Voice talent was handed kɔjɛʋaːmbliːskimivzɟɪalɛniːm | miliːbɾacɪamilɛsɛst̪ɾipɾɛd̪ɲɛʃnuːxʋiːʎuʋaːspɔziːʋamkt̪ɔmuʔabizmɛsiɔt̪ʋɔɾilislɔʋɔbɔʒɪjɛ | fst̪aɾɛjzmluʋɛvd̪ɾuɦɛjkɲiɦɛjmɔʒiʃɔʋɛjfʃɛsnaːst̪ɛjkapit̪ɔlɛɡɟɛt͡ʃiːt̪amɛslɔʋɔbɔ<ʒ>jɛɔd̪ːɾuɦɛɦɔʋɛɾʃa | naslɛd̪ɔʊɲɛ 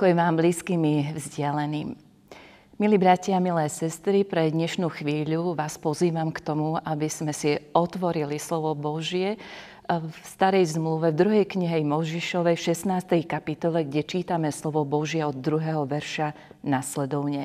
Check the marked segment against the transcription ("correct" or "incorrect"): correct